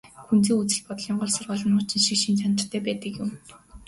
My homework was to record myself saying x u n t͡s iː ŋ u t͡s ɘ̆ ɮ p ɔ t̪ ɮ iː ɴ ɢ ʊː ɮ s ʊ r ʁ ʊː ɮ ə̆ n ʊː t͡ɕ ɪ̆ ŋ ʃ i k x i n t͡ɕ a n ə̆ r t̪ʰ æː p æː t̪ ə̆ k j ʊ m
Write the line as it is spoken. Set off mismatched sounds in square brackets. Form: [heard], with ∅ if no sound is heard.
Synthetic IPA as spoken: x u n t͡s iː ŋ u t͡s ɘ̆ ɮ p ɔ t̪ ɮ iː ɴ ɢ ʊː ɮ s ʊ r ʁ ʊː ɮ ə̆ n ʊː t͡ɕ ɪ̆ [n] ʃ i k [ʃ] i n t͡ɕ a n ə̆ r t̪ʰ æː p æː t̪ ə̆ k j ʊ m